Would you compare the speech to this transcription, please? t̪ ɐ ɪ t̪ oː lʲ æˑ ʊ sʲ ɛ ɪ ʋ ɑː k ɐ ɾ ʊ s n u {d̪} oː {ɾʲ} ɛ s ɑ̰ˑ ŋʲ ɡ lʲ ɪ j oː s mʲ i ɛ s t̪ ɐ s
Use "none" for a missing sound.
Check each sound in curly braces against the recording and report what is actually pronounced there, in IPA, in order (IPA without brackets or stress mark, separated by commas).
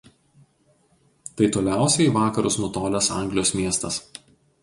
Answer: t̪, lʲ